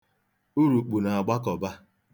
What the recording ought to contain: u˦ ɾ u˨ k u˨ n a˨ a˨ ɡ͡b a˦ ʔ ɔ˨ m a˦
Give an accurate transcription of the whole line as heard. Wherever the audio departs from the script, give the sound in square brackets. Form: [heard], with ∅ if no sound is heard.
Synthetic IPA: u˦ ɾ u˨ [k͡p] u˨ n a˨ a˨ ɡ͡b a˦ [k] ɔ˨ [b] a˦